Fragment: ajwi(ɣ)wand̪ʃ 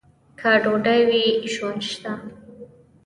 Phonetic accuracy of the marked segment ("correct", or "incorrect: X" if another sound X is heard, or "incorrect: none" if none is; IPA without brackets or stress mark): incorrect: ʒ